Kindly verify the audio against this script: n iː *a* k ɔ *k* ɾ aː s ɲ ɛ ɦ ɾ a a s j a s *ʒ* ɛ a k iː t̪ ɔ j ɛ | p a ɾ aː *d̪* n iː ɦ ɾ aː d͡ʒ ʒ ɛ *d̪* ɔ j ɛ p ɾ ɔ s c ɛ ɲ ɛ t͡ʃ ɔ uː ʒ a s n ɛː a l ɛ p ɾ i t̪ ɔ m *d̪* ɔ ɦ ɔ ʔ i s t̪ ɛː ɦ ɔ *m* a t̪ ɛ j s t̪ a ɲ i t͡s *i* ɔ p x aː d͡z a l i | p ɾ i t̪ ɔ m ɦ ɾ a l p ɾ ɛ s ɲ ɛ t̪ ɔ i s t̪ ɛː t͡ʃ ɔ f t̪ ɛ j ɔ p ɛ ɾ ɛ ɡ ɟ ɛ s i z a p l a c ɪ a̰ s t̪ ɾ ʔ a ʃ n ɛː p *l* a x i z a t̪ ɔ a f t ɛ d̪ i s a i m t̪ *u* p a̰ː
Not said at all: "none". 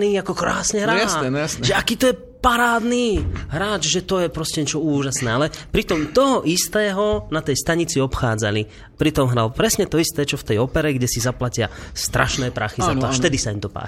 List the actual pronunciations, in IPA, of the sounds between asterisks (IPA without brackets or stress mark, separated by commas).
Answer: a, k, ʒ, d̪, t̪, t̪, n, i, ɾ, ɔ